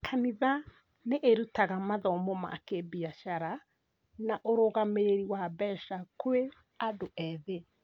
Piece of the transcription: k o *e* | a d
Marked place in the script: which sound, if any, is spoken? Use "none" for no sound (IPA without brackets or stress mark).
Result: e